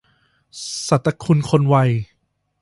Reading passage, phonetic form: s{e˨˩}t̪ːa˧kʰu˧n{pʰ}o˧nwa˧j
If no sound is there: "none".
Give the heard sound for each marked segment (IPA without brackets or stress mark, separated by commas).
a˨˩, kʰ